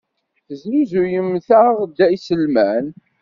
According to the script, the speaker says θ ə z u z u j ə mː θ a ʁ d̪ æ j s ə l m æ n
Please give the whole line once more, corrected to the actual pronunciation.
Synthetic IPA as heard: θ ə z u z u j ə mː θ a ʁ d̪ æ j s ə l m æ n